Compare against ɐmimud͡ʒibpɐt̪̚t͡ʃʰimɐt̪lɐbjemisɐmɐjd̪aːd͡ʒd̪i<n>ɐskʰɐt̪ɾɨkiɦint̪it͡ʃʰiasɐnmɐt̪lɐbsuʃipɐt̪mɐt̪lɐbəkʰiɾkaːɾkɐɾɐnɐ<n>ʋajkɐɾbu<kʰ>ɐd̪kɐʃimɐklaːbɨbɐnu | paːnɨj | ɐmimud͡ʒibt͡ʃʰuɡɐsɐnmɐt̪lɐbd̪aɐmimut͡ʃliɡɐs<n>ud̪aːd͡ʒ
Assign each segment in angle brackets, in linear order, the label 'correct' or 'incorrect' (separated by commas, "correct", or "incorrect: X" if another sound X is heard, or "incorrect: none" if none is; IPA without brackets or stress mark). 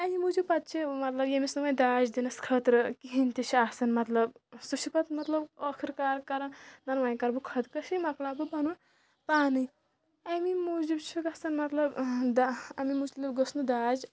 correct, correct, correct, correct